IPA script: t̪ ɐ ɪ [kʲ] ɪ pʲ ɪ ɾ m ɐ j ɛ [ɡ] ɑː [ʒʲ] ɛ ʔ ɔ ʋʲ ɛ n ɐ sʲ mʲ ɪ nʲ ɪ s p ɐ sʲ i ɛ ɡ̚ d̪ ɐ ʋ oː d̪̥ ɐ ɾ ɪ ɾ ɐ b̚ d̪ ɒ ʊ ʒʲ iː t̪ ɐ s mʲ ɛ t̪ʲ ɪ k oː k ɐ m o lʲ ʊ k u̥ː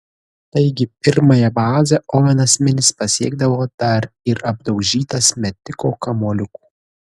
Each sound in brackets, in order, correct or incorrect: incorrect, incorrect, incorrect

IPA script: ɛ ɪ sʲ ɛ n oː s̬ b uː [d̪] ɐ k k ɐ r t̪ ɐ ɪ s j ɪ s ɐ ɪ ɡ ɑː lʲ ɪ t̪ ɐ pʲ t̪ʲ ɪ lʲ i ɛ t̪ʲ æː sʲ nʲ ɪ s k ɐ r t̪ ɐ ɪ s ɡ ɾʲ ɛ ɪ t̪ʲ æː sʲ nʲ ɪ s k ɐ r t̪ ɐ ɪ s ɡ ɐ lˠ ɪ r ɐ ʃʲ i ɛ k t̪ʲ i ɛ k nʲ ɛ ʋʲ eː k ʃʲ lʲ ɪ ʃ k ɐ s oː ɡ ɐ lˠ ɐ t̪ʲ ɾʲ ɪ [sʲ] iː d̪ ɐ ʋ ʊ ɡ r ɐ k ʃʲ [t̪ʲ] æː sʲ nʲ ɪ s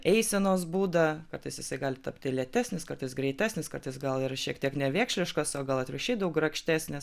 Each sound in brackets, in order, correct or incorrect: correct, incorrect, correct

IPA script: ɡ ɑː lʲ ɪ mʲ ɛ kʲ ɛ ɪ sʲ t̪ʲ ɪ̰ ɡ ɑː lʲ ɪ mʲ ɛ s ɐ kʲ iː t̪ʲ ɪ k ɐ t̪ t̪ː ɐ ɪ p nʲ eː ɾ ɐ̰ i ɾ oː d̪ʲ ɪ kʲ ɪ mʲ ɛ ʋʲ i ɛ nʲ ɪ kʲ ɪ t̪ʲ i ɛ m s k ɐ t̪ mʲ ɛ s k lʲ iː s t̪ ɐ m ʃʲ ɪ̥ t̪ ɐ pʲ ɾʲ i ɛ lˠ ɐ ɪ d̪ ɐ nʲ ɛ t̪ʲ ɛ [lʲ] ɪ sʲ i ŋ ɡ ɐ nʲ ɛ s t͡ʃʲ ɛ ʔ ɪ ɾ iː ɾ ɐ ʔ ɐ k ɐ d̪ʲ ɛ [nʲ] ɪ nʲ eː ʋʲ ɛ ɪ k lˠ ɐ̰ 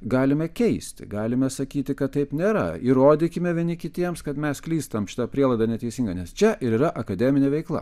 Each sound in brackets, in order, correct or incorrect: incorrect, incorrect

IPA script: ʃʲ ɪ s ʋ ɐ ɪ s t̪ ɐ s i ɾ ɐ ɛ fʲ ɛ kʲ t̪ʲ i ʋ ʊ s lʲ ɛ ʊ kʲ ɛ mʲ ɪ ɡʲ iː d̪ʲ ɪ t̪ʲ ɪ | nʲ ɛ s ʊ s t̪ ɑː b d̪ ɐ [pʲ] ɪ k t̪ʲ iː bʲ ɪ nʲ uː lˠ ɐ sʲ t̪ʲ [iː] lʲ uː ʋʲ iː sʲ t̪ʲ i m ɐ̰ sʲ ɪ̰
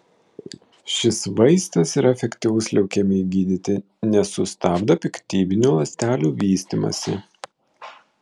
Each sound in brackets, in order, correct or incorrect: correct, incorrect

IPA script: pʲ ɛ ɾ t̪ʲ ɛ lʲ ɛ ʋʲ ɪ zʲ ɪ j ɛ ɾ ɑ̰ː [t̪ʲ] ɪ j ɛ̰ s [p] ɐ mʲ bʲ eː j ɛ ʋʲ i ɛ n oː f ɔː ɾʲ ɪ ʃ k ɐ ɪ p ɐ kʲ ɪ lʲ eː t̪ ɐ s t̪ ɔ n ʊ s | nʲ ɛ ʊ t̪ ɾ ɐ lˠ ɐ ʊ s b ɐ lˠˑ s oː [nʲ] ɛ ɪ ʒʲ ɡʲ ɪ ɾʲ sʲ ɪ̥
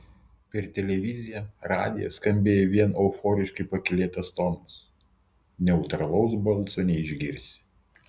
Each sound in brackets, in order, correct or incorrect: incorrect, incorrect, correct

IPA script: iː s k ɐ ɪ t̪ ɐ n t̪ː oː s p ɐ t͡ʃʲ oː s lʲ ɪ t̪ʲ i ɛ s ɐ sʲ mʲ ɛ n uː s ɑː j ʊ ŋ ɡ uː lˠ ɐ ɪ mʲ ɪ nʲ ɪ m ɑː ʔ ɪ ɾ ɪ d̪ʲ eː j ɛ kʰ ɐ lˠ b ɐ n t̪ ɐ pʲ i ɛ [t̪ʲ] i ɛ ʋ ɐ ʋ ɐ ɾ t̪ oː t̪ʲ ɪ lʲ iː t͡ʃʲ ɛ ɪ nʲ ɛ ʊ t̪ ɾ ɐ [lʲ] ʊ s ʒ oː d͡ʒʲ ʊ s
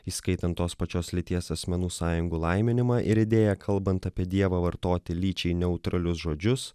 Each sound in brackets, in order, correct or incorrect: incorrect, correct

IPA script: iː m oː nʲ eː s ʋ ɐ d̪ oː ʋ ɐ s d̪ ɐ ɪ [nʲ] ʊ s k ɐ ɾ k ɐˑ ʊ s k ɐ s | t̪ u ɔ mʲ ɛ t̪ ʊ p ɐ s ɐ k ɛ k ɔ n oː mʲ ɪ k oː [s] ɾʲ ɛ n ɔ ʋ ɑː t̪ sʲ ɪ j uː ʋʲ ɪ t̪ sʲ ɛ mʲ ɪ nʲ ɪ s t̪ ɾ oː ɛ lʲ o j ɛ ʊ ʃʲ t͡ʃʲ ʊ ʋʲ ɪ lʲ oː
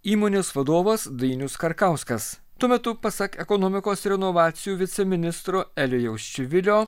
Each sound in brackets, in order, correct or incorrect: correct, correct

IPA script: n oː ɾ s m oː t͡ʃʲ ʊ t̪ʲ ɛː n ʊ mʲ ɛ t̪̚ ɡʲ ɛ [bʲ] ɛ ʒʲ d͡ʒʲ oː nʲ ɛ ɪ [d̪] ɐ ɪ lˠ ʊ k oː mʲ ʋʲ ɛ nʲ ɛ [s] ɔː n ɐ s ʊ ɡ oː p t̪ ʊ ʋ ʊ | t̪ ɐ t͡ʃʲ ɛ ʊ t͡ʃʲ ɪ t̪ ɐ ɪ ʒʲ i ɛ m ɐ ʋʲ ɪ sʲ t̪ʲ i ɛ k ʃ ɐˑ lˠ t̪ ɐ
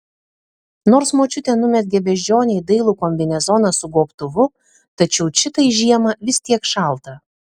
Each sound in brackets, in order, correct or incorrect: correct, correct, incorrect

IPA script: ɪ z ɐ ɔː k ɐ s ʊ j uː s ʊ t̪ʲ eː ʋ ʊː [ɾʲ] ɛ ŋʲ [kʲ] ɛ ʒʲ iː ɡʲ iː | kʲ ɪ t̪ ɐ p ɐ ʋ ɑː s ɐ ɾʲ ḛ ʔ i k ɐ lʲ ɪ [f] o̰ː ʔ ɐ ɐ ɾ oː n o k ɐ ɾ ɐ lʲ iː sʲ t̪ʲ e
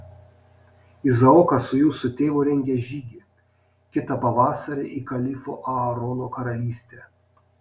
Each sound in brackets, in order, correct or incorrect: correct, incorrect, correct

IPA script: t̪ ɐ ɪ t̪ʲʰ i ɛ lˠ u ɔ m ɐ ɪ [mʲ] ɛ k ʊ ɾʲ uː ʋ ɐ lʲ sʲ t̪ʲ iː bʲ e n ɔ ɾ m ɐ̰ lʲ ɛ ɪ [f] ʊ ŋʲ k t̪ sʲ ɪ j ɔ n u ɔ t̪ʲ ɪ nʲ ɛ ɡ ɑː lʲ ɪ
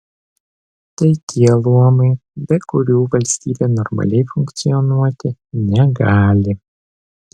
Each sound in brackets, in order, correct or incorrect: incorrect, correct

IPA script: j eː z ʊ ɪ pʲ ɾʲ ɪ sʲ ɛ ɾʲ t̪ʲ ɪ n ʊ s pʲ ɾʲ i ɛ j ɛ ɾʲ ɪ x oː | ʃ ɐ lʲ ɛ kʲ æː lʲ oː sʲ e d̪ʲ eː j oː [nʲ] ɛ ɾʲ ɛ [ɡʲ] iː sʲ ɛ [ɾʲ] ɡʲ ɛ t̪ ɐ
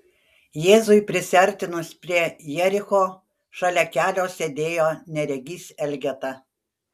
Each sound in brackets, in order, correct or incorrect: correct, correct, incorrect

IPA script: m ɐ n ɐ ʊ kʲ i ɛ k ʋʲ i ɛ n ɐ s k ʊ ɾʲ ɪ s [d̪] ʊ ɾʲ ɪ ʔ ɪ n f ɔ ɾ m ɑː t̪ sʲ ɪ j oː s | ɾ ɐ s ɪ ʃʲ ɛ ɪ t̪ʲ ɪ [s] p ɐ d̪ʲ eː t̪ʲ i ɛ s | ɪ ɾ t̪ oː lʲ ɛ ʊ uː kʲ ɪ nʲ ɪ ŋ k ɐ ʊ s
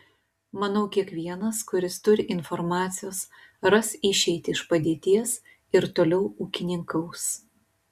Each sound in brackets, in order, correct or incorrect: incorrect, incorrect

